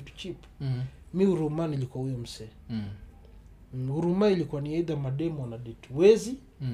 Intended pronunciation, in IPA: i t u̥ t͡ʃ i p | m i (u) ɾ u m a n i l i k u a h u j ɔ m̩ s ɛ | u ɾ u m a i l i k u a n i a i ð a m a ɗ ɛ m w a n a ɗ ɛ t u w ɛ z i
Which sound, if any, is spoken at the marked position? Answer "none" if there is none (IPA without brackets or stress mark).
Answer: u